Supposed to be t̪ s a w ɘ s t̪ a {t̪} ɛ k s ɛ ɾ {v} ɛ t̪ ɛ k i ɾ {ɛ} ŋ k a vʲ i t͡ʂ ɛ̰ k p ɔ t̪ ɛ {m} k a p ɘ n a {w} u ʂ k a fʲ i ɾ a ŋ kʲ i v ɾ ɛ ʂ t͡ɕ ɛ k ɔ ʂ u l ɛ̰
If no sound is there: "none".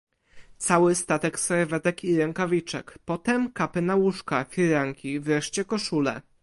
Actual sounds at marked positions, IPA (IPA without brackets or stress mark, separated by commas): t̪, v, ɛ, m, w